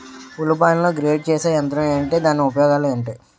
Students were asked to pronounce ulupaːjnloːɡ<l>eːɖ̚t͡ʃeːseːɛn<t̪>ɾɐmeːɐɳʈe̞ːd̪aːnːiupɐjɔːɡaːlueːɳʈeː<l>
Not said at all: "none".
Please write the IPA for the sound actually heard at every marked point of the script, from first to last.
ɾ, t̪, none

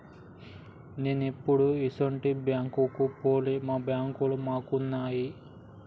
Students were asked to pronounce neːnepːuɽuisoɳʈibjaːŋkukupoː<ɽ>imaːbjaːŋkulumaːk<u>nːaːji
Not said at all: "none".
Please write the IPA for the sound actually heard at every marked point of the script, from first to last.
l, u

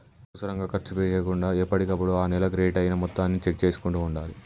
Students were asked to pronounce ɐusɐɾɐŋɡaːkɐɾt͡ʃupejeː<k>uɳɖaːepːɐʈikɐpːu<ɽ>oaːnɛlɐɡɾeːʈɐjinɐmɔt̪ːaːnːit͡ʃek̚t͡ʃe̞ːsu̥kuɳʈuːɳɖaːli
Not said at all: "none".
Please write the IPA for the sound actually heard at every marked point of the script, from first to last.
k, ɽ

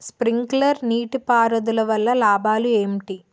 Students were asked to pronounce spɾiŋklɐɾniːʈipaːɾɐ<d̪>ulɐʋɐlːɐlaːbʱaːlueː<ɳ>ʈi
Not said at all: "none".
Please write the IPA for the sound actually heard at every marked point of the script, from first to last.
d̪, m

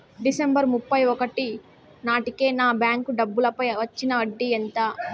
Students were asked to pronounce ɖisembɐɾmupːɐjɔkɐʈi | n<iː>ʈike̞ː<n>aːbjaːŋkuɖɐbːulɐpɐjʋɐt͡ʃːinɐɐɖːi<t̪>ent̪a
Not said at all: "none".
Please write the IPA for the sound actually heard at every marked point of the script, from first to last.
aː, n, none

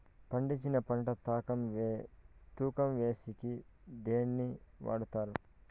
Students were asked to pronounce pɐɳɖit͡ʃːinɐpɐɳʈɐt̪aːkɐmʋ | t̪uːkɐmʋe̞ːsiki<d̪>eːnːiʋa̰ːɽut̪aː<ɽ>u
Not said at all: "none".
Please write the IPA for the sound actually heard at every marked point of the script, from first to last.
d̪, ɾ

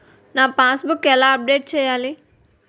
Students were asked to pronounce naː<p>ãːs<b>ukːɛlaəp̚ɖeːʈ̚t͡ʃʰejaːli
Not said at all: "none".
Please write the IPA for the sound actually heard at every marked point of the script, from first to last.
p, b

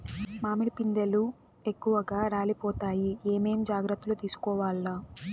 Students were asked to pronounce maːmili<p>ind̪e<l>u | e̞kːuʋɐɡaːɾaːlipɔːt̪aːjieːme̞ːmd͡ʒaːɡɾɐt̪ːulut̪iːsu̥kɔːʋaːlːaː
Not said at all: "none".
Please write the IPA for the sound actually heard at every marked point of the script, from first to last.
p, l

